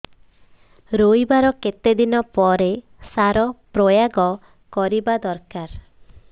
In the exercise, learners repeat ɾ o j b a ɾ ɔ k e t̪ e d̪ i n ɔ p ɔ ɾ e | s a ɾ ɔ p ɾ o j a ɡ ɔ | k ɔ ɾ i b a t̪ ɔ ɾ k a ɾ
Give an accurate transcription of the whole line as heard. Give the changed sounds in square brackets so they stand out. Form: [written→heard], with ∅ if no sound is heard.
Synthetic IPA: ɾ o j b a ɾ ɔ k e t̪ e d̪ i n ɔ p ɔ ɾ e | s a ɾ ɔ p ɾ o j a ɡ ɔ | k ɔ ɾ i b a [t̪→d̪] ɔ ɾ k a ɾ